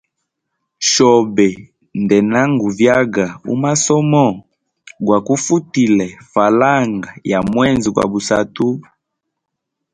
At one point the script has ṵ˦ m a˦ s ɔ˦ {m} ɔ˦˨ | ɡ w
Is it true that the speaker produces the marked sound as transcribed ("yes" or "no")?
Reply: yes